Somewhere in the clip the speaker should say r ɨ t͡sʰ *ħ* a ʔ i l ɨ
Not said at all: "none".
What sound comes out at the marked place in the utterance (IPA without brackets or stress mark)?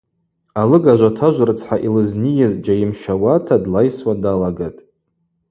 ħ